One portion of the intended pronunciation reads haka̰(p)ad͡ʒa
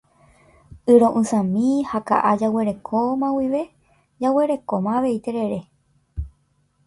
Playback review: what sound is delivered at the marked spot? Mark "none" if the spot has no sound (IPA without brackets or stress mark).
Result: ʔ